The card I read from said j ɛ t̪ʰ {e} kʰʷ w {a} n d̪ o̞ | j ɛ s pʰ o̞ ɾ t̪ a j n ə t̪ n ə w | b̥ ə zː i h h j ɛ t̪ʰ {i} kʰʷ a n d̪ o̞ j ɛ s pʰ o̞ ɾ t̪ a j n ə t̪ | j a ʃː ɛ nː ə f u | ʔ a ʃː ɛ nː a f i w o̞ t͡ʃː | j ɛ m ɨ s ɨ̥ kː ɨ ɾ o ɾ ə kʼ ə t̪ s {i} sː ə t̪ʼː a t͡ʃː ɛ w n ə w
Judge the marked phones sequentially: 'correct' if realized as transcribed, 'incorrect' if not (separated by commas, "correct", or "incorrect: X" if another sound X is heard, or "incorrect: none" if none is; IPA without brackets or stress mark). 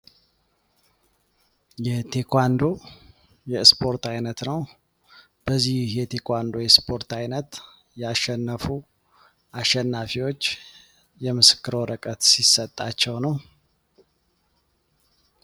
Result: correct, correct, incorrect: e, correct